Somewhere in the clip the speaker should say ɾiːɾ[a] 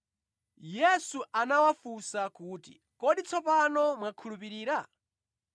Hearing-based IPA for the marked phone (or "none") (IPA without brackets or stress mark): a